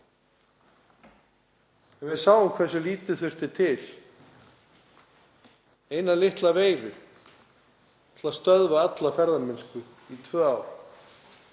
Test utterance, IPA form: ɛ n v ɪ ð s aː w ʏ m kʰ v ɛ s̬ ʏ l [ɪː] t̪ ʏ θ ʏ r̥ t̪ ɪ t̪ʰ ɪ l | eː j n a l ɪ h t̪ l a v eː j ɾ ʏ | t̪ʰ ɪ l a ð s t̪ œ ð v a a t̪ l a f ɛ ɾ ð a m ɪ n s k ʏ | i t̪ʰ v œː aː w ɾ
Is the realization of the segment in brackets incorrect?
yes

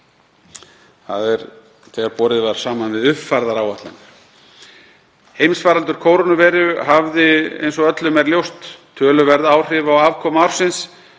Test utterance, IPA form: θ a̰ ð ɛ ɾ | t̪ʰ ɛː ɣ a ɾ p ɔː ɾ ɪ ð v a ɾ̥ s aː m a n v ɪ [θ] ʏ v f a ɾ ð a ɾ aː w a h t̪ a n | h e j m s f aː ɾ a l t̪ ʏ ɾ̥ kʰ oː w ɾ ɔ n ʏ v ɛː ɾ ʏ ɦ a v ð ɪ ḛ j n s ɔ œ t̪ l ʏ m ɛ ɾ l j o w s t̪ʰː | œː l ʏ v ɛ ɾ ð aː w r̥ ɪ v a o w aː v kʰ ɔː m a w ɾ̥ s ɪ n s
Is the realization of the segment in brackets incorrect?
yes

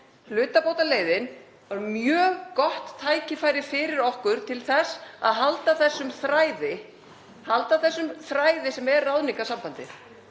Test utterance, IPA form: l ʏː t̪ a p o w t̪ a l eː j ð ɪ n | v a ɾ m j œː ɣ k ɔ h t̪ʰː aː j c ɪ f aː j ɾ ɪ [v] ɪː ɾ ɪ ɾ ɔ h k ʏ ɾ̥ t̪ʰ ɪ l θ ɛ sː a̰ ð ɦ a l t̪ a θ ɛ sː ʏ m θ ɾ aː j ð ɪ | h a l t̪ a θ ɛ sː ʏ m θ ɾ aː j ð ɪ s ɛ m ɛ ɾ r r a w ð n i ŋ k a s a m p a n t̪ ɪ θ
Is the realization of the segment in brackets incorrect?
yes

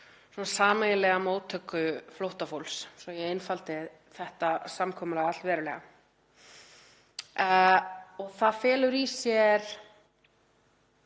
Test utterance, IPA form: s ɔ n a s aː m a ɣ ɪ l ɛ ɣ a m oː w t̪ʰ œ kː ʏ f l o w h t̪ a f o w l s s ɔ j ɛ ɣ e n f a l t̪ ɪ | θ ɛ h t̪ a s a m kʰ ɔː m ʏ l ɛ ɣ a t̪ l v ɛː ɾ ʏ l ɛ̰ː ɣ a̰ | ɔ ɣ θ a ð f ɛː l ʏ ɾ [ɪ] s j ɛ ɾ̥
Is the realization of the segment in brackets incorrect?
yes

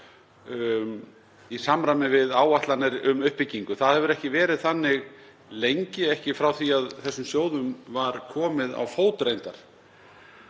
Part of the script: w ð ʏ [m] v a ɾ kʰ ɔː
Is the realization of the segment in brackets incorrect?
no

